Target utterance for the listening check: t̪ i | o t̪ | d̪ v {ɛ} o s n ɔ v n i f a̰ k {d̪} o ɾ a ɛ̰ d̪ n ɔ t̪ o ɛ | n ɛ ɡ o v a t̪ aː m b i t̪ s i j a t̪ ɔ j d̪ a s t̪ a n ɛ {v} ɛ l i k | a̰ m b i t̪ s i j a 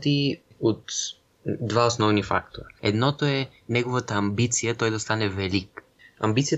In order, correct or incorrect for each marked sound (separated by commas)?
incorrect, incorrect, correct